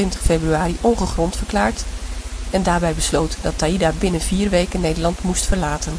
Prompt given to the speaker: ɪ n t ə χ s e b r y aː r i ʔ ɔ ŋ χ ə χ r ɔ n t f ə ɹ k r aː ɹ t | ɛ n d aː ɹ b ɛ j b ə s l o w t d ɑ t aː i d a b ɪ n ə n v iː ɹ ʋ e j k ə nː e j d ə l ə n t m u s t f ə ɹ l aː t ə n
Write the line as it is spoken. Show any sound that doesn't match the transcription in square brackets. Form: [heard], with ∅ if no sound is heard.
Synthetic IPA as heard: ɪ n t ə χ [f] e b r y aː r i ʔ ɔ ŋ χ ə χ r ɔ n t f ə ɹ k [l] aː ɹ t | ɛ n d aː ɹ b ɛ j b ə s l o w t d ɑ t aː i d a b ɪ n ə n v iː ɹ ʋ e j k ə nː e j d ə l [ɑ] n t m u s t f ə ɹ l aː t ə n